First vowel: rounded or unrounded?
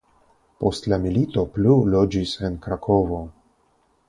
rounded